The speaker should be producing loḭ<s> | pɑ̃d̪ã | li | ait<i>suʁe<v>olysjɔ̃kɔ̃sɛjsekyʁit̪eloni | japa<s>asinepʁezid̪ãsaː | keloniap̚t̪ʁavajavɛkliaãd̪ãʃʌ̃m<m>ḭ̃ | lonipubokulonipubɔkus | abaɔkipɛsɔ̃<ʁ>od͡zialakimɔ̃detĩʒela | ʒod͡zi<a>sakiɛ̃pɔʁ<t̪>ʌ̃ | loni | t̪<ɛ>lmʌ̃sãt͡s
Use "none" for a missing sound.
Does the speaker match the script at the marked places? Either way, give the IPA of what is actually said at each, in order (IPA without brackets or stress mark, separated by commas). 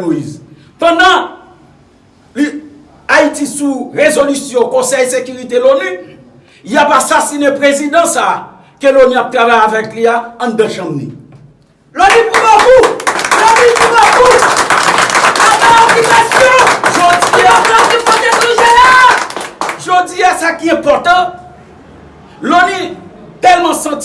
z, i, z, s, n, ʒ, a, t̪, ɛ